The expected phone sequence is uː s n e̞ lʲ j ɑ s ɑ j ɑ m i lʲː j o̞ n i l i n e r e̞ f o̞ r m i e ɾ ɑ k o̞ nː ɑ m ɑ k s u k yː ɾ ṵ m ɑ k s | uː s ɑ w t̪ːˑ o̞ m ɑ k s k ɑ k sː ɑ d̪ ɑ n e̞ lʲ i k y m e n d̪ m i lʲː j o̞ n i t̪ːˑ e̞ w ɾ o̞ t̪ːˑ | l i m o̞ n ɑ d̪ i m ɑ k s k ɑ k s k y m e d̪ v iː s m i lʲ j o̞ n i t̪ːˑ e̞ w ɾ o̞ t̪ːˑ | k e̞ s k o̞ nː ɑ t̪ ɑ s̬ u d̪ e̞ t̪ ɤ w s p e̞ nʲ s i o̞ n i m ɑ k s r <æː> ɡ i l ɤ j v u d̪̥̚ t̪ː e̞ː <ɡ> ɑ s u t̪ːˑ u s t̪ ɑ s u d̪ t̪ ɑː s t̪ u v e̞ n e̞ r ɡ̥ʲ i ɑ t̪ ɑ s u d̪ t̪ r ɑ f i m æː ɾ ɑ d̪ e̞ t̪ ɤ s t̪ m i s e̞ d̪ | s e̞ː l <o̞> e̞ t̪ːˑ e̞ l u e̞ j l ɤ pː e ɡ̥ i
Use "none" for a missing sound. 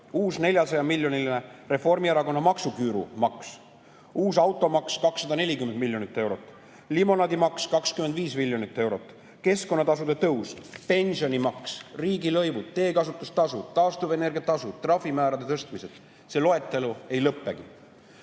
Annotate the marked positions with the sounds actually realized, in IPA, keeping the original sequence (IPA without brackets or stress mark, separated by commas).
iː, k, o̞